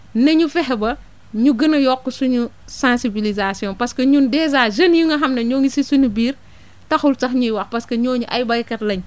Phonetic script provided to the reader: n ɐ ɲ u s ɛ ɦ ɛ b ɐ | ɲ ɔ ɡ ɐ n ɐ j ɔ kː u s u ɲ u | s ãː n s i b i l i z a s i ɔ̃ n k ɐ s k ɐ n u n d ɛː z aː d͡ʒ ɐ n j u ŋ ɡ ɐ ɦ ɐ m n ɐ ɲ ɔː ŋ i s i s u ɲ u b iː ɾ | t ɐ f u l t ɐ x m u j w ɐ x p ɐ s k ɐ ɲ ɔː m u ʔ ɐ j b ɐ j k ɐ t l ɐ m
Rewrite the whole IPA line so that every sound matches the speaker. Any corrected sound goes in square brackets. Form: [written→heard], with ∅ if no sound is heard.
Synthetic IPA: n ɐ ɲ u [s→f] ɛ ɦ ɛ b ɐ | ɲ [ɔ→u] ɡ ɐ n ɐ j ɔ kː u s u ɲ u | s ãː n s i b i l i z a s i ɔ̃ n [k→p] ɐ s k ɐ [n→ɲ] u n d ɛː z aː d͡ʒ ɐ n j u ŋ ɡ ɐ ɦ ɐ m n ɐ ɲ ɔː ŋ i s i s u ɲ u b iː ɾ | t ɐ [f→x] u l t ɐ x [m→ɲ] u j w ɐ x p ɐ s k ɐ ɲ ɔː [m→ɲ] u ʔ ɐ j b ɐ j k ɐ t l ɐ [m→ɲ]